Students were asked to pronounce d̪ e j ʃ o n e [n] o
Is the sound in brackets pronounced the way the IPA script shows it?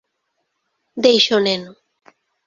yes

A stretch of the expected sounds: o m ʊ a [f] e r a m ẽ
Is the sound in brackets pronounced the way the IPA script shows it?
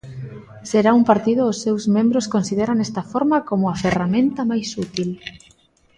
yes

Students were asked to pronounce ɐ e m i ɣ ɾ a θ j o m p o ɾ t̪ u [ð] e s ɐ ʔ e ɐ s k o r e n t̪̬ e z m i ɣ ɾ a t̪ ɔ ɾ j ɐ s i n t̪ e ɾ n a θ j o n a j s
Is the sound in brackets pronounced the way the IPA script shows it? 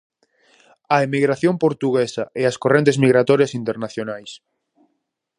no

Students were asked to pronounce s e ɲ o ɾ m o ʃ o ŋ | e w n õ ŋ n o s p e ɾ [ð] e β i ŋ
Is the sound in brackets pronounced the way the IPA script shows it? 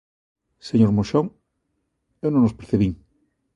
no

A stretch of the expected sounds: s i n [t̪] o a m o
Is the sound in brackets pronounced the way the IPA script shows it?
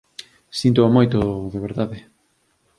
yes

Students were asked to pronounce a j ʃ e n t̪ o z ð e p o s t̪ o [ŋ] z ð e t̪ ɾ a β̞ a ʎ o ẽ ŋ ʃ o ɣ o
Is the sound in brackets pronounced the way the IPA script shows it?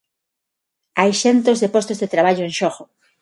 no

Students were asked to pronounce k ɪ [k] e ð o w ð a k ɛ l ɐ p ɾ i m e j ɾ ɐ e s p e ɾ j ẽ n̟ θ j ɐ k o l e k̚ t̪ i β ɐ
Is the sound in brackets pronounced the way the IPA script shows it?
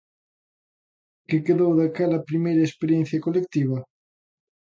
yes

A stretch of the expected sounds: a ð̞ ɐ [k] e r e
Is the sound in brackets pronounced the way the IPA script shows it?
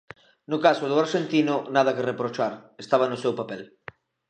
yes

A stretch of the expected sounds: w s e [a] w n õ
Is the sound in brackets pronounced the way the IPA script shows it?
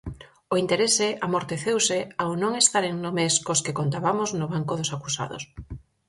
yes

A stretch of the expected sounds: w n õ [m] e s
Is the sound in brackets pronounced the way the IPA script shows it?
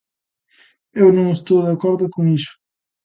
no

